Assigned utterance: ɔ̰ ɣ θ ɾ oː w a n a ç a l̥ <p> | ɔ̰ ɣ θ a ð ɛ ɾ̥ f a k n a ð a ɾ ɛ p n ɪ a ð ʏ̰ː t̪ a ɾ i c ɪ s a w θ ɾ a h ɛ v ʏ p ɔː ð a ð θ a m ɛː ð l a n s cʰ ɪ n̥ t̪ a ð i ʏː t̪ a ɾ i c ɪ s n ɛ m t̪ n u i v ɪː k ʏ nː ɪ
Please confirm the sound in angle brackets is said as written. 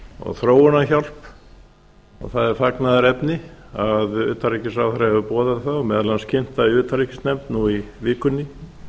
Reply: yes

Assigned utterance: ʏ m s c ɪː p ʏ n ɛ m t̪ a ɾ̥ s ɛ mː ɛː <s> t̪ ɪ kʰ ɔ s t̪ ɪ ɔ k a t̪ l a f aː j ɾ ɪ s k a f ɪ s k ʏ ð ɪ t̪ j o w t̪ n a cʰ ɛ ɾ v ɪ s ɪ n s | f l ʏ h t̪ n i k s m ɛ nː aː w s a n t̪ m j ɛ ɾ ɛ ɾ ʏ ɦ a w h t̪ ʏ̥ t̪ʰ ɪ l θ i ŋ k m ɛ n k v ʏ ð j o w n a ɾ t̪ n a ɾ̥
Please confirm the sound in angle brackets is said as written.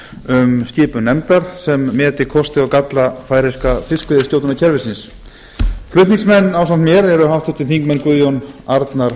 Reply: no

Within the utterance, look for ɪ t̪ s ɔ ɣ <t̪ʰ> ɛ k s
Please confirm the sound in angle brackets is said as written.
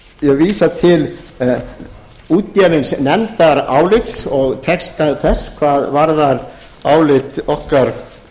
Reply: yes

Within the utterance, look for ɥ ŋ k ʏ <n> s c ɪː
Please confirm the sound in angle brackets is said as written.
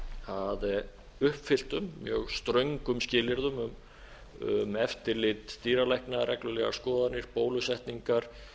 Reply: no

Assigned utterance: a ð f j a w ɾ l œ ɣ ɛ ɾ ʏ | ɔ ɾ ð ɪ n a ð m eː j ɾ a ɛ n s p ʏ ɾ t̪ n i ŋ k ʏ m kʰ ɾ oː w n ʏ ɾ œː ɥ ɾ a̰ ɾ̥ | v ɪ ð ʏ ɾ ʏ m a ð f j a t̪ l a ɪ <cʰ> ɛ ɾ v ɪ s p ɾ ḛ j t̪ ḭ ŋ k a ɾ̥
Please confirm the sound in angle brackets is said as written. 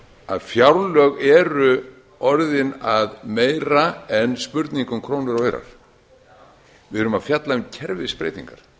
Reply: yes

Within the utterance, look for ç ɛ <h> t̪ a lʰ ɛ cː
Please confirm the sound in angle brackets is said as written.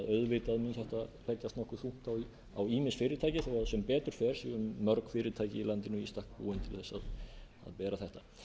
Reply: yes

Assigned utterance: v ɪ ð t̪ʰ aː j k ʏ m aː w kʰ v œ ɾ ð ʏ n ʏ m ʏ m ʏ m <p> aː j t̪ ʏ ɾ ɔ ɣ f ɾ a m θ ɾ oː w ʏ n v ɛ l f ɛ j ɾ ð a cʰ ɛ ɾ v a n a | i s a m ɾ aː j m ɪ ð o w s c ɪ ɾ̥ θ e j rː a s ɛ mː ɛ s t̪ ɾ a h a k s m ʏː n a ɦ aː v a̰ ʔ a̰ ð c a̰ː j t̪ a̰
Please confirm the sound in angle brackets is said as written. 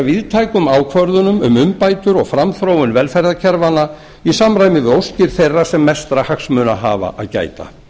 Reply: yes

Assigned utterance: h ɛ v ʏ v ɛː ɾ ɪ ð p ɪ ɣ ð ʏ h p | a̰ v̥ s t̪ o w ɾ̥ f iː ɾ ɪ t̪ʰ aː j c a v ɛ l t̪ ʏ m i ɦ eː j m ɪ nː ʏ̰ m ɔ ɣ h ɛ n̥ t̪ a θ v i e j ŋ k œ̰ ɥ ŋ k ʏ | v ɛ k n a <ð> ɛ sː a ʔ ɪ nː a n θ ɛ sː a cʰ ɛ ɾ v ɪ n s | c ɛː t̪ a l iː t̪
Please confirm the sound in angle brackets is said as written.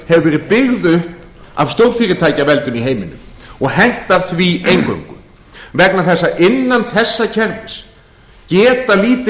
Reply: no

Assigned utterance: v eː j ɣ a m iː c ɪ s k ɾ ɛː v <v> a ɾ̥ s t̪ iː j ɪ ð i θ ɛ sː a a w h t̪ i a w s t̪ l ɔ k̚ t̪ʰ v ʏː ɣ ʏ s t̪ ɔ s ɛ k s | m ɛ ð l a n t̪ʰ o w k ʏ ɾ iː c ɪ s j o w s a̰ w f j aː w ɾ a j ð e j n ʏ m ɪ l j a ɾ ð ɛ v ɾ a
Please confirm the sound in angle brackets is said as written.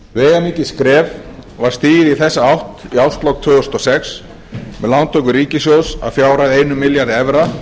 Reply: yes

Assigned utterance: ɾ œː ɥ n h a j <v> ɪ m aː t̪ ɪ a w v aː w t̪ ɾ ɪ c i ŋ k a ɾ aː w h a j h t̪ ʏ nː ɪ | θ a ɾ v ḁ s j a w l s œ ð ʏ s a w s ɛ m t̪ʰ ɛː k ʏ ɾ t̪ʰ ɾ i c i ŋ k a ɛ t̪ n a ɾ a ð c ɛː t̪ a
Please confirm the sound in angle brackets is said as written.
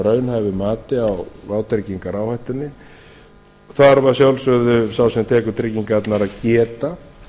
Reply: yes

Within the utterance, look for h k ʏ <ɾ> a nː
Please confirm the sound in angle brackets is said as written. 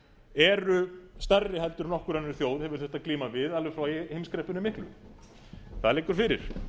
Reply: yes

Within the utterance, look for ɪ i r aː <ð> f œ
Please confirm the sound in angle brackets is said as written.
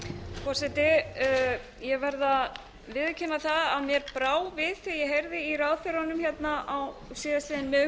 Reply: yes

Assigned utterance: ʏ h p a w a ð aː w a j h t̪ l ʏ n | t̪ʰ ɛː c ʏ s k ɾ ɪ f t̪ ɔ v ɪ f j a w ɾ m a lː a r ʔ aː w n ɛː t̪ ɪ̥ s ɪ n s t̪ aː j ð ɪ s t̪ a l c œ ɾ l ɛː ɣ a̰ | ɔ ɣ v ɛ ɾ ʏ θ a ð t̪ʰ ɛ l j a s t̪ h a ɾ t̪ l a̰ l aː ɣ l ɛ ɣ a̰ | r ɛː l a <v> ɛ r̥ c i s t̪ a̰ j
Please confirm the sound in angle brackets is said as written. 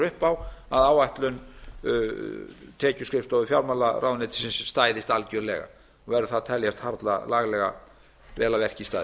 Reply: yes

